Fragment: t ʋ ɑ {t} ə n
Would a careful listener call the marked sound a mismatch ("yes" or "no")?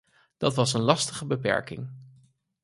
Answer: yes